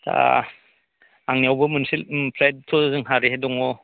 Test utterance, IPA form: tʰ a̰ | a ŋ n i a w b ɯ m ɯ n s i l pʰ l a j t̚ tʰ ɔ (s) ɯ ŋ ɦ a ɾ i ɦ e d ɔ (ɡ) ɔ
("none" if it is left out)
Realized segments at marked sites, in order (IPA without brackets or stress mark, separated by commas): z, ŋ